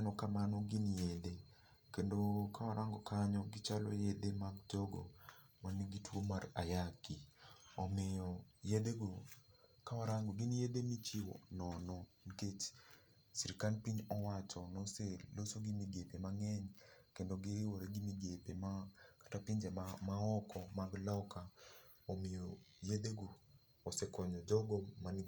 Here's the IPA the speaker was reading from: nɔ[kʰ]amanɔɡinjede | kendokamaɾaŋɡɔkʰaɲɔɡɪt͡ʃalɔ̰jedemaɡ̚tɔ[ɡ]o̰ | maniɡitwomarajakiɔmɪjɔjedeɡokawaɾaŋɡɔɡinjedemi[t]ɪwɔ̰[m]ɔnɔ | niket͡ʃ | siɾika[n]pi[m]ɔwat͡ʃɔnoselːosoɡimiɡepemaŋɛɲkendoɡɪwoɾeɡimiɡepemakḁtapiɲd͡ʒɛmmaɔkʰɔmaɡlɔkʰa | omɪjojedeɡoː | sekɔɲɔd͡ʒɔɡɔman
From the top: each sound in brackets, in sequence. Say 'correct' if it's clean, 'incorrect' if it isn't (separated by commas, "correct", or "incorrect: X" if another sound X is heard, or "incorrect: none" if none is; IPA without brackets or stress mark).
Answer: incorrect: k, correct, incorrect: t͡ʃ, incorrect: n, correct, incorrect: ɲ